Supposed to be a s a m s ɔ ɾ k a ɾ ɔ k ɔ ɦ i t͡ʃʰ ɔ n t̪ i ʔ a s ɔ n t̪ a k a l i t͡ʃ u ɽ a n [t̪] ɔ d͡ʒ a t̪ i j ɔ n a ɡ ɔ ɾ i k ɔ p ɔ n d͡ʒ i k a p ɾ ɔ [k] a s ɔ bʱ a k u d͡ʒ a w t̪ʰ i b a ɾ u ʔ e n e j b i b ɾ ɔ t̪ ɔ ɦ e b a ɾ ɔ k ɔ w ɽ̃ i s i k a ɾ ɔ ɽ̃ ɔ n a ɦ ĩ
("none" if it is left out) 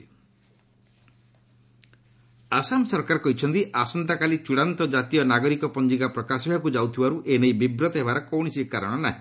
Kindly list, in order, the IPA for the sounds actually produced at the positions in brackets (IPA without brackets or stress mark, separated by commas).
t̪, k